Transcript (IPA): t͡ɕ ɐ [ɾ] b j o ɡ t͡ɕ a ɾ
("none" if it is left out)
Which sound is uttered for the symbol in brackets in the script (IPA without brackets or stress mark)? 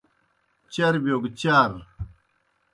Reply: ɾ